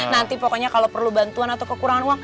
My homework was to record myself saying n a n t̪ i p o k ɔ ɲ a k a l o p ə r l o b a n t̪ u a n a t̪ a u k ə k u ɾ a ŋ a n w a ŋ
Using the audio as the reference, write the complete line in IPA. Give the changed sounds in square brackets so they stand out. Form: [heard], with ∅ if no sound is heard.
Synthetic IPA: n a n t̪ i p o k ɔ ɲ a k a l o p ə r l [u] b a n t̪ u a n a t̪ a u k ə k u ɾ a ŋ a n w a ŋ